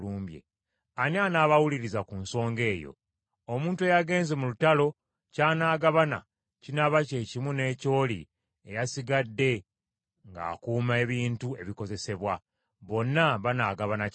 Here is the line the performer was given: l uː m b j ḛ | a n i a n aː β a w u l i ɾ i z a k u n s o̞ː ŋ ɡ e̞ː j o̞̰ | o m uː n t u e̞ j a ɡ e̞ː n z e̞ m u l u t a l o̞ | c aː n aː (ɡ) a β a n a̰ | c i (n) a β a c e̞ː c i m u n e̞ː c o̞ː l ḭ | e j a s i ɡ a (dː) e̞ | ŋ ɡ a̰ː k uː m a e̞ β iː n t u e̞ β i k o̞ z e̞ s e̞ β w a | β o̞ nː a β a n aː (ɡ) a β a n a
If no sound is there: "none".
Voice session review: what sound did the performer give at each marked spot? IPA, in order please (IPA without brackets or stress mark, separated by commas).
ɡ, n, dː, ɡ